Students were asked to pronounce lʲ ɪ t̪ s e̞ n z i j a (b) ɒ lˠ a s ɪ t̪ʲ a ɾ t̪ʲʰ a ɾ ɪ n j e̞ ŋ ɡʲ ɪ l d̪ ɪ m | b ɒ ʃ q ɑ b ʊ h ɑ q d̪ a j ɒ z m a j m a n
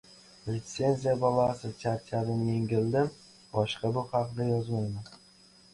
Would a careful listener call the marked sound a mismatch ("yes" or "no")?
no